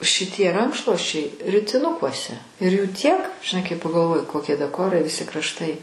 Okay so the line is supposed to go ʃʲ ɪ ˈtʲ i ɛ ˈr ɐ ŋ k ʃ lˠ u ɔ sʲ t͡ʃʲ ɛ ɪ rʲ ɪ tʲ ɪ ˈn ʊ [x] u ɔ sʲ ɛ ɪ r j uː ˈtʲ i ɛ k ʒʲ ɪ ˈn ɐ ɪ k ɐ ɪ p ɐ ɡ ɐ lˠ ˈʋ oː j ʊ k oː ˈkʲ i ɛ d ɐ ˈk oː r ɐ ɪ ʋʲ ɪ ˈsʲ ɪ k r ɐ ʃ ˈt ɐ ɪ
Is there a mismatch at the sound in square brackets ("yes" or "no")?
yes